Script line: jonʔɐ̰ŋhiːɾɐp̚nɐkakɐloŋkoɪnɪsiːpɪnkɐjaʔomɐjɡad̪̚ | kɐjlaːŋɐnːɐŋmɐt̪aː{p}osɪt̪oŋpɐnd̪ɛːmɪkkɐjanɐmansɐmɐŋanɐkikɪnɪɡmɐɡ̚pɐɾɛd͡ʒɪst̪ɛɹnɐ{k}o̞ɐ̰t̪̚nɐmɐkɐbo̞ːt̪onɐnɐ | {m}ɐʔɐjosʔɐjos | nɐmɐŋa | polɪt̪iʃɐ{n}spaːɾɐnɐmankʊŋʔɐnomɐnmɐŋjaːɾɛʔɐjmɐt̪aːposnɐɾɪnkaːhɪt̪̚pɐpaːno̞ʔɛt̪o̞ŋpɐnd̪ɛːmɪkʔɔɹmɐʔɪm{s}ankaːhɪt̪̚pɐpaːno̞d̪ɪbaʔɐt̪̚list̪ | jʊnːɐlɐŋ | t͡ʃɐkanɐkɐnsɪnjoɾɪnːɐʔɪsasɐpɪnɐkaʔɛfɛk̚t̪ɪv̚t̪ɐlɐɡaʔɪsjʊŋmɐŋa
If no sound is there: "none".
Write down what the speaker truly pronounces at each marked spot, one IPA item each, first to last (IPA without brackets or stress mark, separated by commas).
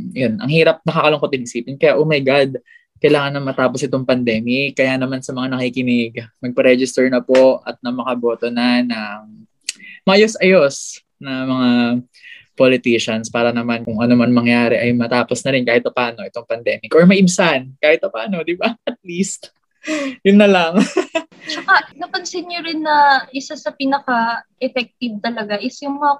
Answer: p, p, m, n, s